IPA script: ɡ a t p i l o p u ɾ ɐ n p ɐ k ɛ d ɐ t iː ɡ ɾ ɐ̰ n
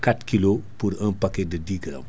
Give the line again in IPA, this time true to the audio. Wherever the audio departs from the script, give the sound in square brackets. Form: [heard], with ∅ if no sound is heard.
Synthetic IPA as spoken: [k] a t [k] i l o p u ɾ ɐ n p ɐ k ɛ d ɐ [d] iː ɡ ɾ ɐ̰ [m]